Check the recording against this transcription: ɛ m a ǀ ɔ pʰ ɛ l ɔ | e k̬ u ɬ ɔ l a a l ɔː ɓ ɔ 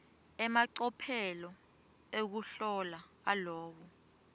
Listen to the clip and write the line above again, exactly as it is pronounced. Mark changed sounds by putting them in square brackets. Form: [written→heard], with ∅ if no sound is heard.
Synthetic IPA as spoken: ɛ m a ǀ ɔ pʰ ɛ l ɔ | e k̬ u ɬ ɔ l a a l ɔː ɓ ɔ